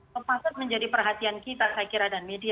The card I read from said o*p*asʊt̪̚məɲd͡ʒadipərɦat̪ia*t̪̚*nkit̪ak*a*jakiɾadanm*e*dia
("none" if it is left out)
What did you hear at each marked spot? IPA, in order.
p, none, a, e

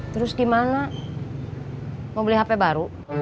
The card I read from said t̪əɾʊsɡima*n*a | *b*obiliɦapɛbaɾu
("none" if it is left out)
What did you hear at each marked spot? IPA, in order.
n, m

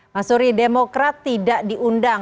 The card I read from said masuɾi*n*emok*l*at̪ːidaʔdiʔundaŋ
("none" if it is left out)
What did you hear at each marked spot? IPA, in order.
d, ɾ

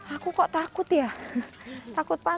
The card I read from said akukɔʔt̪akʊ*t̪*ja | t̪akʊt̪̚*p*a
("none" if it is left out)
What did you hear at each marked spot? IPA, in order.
t̪, p

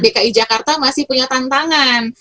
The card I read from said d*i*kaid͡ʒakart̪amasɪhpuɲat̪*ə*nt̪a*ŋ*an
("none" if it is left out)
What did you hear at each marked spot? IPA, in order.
e, a, ŋ

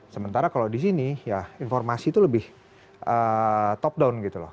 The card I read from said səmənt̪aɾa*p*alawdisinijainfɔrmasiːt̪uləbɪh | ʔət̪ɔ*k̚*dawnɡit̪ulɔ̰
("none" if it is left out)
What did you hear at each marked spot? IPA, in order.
k, p̚

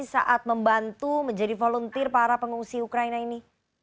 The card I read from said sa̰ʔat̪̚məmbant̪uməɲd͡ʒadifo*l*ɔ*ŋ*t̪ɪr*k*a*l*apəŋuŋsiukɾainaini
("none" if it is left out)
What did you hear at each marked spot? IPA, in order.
l, n, p, ɾ

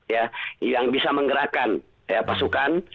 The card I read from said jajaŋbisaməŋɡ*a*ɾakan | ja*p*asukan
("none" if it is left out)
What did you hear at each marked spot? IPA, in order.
ə, p

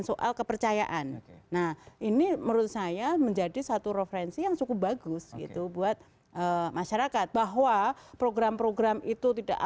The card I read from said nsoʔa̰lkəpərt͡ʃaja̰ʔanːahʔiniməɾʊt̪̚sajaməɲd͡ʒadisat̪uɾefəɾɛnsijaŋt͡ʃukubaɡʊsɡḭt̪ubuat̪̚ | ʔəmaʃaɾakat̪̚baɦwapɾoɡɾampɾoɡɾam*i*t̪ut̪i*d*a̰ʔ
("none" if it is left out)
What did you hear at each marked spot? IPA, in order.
i, d

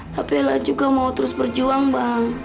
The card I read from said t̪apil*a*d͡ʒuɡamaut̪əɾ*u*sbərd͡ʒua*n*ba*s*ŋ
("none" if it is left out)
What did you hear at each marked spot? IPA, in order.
a, ʊ, ŋ, none

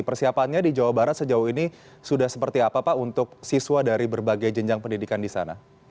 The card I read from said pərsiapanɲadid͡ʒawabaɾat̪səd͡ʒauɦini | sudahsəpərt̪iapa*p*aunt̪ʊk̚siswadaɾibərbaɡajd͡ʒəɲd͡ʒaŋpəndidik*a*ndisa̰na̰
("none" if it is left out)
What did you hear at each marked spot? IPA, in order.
p, a

